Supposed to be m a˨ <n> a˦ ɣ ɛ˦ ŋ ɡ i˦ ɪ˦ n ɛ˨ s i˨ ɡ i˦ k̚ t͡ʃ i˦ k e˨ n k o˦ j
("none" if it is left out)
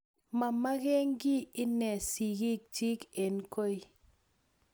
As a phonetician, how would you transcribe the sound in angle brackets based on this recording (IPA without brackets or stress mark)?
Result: m